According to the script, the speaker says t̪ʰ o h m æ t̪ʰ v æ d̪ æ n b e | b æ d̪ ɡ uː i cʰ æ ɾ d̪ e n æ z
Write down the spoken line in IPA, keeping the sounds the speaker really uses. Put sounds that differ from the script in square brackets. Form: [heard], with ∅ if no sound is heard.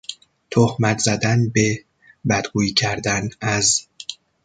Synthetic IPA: t̪ʰ o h m æ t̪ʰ [z] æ d̪ æ n b e | b æ d̪ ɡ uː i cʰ æ ɾ d̪ [æ] n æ z